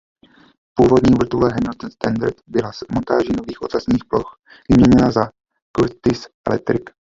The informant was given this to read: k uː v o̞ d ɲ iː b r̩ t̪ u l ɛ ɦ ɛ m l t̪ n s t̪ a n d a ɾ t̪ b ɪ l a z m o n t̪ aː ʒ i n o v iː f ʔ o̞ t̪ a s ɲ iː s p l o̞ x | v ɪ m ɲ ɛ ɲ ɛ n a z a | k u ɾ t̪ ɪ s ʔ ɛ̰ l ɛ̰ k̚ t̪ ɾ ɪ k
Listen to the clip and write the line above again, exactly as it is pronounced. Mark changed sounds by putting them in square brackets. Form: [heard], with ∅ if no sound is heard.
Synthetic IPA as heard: [p] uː v o̞ d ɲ iː [v] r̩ t̪ u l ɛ ɦ ɛ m l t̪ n s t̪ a n d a ɾ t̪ b ɪ l a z m o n t̪ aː ʒ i n o v iː [x] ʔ o̞ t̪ a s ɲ iː [x] p l o̞ x | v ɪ m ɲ ɛ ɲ ɛ n a z a | k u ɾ t̪ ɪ s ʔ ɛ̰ l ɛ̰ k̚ t̪ ɾ ɪ k